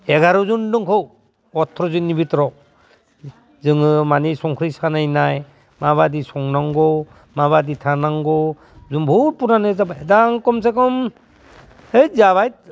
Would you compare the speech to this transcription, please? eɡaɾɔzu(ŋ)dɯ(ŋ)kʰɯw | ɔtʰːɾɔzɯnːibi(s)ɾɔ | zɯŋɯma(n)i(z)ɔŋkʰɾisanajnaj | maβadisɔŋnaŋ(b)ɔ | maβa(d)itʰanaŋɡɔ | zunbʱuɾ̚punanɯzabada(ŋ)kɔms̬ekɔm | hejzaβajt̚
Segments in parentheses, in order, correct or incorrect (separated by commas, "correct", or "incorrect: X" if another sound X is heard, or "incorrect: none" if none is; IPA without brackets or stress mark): incorrect: n, correct, incorrect: t, correct, incorrect: s, incorrect: ɡ, correct, correct